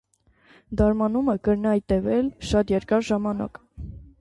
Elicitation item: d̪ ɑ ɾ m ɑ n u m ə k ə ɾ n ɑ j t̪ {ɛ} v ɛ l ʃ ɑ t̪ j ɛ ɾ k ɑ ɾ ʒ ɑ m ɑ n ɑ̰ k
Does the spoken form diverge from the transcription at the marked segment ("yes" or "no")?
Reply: no